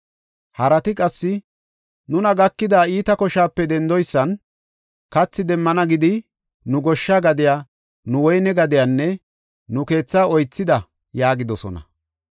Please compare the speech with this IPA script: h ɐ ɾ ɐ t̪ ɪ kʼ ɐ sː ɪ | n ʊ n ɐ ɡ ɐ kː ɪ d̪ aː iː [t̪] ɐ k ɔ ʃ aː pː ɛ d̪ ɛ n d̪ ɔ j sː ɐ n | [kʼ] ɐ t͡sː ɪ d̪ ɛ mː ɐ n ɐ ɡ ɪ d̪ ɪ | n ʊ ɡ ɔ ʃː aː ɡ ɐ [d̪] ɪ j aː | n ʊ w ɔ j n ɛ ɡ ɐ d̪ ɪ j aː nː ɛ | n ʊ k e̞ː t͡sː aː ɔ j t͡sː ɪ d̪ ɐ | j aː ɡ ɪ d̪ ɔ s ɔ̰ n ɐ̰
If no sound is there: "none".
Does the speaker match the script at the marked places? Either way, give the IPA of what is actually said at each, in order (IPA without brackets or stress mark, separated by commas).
t̪, k, d̪